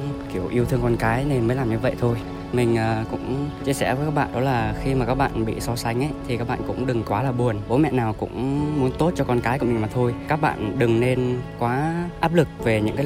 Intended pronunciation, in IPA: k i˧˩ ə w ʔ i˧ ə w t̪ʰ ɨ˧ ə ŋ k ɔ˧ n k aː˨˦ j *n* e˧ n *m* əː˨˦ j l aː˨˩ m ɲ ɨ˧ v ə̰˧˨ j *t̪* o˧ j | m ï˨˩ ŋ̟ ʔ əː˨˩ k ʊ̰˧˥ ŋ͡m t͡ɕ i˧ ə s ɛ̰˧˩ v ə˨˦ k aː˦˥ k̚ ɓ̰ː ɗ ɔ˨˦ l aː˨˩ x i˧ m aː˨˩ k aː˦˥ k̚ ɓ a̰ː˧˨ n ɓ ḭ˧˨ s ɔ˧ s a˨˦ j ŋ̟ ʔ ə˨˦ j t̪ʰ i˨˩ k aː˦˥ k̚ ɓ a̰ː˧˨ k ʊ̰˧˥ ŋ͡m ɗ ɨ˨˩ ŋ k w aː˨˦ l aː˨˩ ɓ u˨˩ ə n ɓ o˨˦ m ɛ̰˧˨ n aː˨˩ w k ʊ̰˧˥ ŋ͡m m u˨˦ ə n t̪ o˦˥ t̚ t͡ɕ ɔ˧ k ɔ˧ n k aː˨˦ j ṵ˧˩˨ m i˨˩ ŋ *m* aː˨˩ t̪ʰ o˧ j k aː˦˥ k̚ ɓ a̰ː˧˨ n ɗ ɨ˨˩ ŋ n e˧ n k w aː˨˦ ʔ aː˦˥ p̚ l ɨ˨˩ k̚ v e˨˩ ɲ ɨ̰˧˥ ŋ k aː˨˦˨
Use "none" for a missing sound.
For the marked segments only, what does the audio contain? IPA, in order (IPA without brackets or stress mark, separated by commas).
n, m, t̪ʰ, m